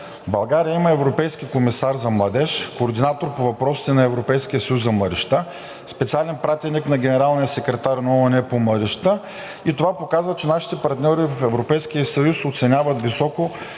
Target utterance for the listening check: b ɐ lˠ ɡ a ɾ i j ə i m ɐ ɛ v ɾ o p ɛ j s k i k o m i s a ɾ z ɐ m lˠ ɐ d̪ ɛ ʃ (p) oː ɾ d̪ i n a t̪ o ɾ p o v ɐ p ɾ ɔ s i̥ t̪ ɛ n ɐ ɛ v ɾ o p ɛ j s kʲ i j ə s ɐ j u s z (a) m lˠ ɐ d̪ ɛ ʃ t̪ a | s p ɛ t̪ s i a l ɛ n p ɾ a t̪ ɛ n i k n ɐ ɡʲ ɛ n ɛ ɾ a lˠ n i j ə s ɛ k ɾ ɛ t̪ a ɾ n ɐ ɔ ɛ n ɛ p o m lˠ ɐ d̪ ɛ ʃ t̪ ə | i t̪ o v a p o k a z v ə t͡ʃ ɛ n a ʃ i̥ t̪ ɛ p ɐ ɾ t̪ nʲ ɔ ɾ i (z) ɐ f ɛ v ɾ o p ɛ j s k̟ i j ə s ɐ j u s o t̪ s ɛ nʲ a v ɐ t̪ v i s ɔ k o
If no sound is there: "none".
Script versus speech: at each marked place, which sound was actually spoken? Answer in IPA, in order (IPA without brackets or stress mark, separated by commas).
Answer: k, ɐ, v